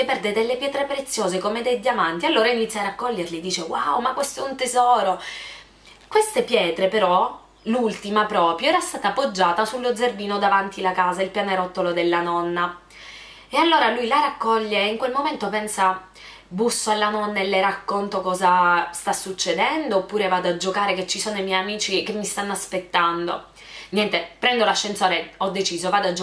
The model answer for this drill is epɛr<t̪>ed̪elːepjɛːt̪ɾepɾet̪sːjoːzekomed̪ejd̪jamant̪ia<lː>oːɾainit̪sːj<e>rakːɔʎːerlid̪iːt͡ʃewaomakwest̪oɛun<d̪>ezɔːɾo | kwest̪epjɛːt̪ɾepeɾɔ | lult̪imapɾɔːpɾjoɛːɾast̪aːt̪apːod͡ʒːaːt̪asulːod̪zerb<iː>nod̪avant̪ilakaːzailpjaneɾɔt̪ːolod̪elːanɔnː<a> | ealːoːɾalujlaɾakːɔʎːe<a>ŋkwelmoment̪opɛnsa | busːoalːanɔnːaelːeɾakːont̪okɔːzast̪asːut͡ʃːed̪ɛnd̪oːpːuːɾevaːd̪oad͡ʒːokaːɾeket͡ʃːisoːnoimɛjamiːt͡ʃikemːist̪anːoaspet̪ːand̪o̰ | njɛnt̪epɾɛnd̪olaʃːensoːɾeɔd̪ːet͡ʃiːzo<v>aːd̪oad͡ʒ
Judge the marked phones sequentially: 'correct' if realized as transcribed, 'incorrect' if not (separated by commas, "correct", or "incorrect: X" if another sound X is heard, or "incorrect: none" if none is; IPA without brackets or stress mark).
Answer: incorrect: d̪, correct, incorrect: a, incorrect: t̪, correct, correct, incorrect: i, correct